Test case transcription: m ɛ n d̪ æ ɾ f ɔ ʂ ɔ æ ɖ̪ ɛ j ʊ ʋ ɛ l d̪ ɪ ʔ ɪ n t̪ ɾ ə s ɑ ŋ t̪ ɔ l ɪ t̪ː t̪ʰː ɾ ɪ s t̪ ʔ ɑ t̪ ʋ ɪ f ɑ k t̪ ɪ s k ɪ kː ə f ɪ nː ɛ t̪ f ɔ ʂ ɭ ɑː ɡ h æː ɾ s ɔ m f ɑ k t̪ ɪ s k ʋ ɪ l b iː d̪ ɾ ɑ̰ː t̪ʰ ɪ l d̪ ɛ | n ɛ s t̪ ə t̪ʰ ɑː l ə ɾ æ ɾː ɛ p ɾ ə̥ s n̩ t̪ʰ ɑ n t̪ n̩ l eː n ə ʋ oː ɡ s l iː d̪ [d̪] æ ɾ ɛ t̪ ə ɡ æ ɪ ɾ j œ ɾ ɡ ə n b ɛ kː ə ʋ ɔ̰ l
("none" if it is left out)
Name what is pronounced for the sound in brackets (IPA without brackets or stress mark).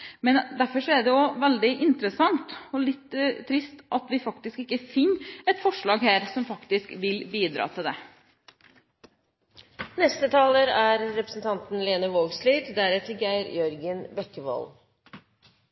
d̪